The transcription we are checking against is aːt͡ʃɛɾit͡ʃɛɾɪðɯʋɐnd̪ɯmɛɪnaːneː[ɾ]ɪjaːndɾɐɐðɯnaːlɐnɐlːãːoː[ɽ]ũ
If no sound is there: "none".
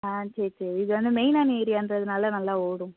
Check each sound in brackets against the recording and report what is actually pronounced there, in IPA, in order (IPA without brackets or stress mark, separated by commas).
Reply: ɾ, ɽ